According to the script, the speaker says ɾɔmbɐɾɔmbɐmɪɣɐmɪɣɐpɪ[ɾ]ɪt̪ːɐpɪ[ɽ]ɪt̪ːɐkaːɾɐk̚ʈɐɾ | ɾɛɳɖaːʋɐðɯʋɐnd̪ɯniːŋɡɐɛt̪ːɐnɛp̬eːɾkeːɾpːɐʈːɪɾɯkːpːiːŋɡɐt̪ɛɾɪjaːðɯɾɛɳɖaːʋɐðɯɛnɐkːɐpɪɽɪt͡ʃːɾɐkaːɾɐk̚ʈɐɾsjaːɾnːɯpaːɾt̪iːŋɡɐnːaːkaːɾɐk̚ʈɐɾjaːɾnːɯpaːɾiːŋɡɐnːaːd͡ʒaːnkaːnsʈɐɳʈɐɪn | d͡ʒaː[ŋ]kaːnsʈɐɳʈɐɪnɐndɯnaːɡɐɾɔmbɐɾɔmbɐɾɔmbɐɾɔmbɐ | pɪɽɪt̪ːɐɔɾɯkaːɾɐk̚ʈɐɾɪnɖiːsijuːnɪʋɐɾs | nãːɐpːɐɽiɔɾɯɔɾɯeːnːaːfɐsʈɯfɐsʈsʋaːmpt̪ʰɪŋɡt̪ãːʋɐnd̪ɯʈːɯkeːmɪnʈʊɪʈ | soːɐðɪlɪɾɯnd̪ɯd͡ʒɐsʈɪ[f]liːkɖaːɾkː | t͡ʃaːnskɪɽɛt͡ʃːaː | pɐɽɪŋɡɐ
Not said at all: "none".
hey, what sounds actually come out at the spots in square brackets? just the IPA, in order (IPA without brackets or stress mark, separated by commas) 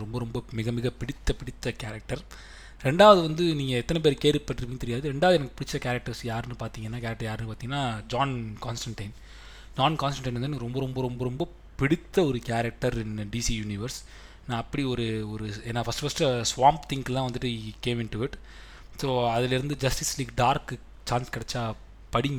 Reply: ɽ, ɽ, n, s